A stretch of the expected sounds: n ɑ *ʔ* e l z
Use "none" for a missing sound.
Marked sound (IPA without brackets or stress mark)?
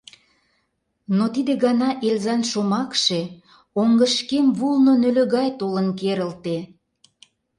ʔ